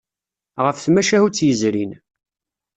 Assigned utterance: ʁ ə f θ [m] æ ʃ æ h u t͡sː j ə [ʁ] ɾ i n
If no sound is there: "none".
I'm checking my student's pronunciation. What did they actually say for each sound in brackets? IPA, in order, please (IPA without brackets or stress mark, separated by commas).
m, z